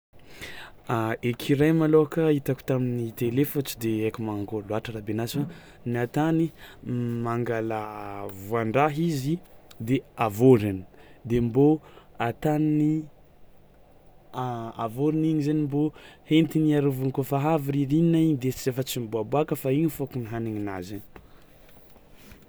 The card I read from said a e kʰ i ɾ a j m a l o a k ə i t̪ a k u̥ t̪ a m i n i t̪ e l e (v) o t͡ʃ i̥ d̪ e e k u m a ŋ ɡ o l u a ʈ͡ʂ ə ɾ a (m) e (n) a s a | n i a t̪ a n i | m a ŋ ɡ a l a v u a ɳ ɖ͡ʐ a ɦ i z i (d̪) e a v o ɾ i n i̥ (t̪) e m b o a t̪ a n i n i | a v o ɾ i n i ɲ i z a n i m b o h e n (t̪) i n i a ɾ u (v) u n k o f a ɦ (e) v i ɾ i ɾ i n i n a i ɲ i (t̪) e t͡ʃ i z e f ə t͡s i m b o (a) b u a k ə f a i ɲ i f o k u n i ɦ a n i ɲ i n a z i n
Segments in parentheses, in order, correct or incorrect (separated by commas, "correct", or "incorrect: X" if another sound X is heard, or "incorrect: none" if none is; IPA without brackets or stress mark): incorrect: f, incorrect: b, correct, correct, incorrect: d̪, correct, correct, incorrect: a, incorrect: d̪, correct